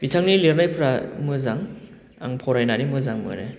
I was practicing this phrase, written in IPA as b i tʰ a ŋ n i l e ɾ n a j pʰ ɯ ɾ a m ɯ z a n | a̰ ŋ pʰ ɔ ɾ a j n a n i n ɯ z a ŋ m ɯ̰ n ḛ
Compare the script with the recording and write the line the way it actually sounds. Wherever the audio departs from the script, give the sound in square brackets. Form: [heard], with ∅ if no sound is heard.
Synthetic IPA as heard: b i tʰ a ŋ n i l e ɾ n a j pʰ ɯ ɾ a m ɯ z a [ŋ] | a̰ ŋ pʰ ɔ ɾ a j n a n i [m] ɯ z a ŋ m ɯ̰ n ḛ